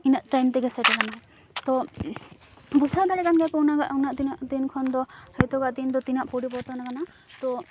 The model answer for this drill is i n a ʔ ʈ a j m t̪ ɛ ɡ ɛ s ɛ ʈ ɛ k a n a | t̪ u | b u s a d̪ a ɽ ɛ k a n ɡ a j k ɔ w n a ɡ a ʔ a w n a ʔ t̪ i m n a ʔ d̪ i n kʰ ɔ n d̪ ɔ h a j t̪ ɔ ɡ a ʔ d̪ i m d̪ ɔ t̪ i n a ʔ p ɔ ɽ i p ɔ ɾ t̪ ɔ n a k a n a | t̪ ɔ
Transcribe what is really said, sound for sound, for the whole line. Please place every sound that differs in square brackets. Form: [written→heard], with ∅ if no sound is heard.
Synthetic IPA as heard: i n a ʔ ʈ a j m t̪ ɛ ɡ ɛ s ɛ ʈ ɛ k a n a | t̪ [u→ɔ] | b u s a d̪ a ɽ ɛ k a n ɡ a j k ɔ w n a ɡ a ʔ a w n a ʔ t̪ i [m→∅] n a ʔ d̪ i n kʰ ɔ n d̪ ɔ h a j t̪ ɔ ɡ a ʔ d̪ i [m→n] d̪ ɔ t̪ i n a ʔ p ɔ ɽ i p ɔ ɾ t̪ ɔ n a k a n a | t̪ ɔ